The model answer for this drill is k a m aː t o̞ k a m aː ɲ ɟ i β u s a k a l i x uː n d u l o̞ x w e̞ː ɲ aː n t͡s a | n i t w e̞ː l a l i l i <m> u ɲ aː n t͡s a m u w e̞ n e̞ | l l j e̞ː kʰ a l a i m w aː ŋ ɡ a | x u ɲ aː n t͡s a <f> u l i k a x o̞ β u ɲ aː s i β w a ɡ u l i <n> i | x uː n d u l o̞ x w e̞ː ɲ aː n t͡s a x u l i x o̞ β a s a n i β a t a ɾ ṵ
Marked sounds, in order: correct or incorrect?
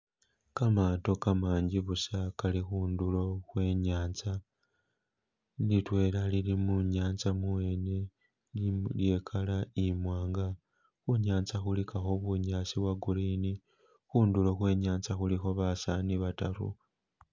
correct, incorrect, correct

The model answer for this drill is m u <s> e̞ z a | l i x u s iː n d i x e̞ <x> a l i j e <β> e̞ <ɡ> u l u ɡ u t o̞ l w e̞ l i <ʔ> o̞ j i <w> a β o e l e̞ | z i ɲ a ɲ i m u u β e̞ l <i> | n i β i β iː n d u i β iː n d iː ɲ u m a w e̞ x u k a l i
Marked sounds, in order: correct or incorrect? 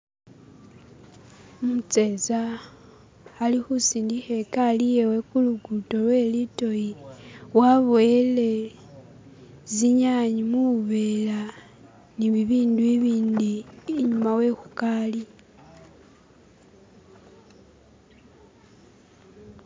incorrect, incorrect, incorrect, incorrect, incorrect, correct, incorrect

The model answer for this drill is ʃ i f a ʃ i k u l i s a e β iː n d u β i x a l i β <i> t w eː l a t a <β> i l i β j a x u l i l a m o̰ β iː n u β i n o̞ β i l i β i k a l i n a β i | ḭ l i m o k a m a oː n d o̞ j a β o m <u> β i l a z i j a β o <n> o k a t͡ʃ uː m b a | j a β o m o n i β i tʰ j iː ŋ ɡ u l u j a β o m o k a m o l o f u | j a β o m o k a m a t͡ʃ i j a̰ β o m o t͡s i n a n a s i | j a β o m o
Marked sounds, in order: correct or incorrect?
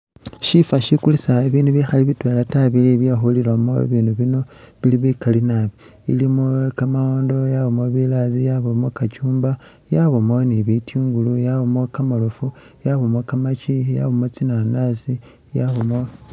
correct, correct, incorrect, incorrect

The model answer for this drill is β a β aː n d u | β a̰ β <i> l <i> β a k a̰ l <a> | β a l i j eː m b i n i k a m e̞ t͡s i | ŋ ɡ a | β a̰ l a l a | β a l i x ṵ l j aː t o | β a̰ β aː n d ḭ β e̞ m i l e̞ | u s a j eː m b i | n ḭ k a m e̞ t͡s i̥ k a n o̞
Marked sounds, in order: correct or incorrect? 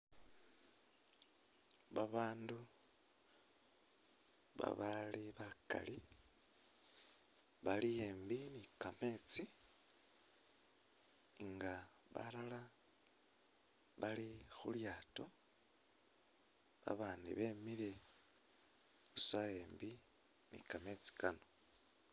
incorrect, correct, incorrect

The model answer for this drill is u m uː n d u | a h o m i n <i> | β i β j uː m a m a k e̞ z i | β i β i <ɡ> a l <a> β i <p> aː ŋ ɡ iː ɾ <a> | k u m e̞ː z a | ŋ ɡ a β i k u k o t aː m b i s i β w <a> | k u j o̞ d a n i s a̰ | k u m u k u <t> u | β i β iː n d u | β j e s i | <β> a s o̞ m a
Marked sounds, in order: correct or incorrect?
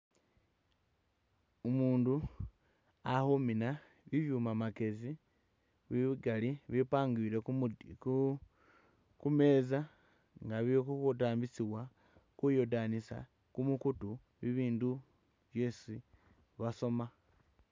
incorrect, correct, incorrect, correct, incorrect, correct, correct, correct

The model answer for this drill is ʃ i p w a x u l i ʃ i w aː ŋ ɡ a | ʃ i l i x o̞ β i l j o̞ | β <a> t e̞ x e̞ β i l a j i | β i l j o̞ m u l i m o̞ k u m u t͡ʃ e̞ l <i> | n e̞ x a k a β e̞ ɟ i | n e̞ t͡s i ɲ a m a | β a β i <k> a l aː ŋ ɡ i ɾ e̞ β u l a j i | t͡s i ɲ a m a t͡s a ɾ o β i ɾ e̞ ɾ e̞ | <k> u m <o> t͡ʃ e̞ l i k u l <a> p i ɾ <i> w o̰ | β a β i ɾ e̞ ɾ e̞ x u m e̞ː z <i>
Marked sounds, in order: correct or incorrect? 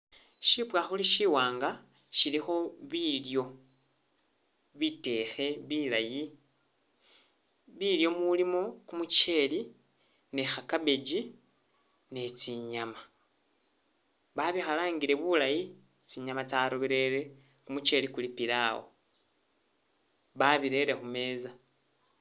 incorrect, correct, incorrect, correct, incorrect, incorrect, incorrect, incorrect

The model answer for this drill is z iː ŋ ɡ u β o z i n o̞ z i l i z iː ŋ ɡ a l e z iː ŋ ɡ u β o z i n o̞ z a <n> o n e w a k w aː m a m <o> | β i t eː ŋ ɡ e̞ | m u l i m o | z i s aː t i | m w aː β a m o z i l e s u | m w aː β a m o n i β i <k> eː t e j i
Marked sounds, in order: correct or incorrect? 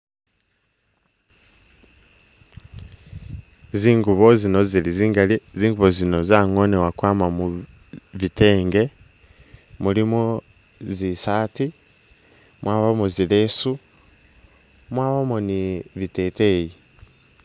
incorrect, incorrect, incorrect

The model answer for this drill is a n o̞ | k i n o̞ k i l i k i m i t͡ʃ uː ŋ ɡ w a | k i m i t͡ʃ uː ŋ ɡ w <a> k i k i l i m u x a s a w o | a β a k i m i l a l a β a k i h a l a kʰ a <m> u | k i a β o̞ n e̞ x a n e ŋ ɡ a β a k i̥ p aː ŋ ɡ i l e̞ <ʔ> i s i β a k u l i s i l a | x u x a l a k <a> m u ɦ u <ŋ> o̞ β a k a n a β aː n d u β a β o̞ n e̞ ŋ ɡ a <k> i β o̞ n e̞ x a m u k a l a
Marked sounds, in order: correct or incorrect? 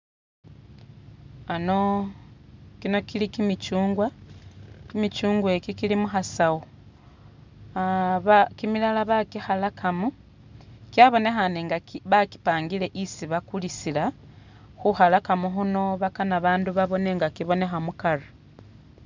incorrect, correct, correct, correct, incorrect, correct

